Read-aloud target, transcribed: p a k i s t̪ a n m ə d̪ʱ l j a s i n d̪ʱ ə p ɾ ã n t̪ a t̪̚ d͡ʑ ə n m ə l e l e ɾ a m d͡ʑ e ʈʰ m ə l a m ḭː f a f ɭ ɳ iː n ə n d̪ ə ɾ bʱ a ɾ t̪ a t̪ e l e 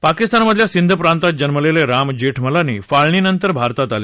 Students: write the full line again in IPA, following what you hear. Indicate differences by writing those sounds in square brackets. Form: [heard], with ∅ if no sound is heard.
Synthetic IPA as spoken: p a k i s t̪ a n m ə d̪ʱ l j a s i n d̪ʱ ə p ɾ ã n t̪ a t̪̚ d͡ʑ ə n m ə l e l e ɾ a m d͡ʑ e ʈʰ m ə l a [n] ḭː f a [∅] ɭ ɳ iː n ə n [t̪] ə ɾ bʱ a ɾ t̪ a t̪ [a] l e